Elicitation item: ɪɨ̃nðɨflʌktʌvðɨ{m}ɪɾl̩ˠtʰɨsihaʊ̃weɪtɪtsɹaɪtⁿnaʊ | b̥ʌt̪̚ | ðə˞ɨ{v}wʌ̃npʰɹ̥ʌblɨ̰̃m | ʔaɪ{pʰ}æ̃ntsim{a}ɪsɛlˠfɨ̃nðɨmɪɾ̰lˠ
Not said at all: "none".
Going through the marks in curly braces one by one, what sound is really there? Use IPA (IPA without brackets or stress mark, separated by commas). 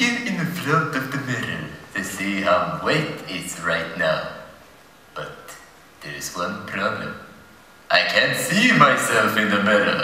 m, z, kʰ, a